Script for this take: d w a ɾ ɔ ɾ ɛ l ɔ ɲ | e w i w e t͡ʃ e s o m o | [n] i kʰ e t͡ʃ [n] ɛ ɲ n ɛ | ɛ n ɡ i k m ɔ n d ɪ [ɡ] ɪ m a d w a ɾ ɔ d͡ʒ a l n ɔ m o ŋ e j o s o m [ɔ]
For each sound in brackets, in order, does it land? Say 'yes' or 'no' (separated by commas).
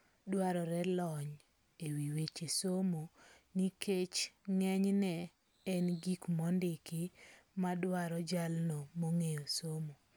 yes, no, no, no